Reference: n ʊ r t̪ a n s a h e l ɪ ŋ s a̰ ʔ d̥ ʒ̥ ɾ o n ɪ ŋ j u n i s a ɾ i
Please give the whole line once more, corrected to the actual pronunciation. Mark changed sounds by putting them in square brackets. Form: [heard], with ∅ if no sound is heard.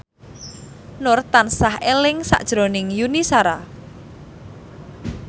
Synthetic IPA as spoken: n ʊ r t̪ a n s a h e l ɪ ŋ s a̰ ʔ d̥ ʒ̥ ɾ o n ɪ ŋ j u n i s a ɾ [a]